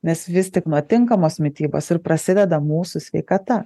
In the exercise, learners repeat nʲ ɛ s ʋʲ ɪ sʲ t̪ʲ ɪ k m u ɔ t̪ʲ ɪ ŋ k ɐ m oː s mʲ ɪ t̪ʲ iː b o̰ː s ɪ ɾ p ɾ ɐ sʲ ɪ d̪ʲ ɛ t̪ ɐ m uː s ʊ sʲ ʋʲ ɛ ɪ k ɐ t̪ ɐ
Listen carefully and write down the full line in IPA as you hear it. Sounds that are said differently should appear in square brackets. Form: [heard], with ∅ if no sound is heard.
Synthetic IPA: nʲ ɛ s ʋʲ ɪ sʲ t̪ʲ ɪ k [n] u ɔ t̪ʲ ɪ ŋ k ɐ m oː s mʲ ɪ t̪ʲ iː b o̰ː s ɪ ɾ p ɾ ɐ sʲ ɪ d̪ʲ ɛ [d̪] ɐ m uː s ʊ sʲ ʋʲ ɛ ɪ k ɐ t̪ ɐ